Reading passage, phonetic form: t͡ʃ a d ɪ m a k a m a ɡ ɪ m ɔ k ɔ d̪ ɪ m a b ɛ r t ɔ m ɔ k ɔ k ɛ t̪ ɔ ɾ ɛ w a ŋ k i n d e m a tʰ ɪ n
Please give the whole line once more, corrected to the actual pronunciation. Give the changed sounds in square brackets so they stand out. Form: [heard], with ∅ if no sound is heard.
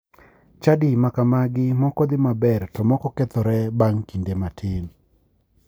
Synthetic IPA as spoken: t͡ʃ a d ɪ m a k a m a ɡ ɪ m ɔ k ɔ d̪ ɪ m a b ɛ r t ɔ m ɔ k ɔ k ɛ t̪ ɔ ɾ ɛ [b] a ŋ k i n d e m a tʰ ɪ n